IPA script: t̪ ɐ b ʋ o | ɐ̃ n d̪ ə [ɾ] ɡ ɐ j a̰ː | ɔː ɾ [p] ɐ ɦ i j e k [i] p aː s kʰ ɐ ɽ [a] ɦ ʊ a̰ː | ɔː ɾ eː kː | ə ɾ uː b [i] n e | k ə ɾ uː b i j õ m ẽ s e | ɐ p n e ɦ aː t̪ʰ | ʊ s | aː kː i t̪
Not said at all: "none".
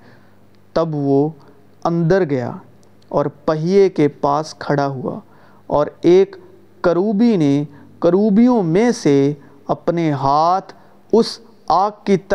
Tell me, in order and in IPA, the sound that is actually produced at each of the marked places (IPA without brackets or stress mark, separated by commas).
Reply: ɾ, p, e, a, i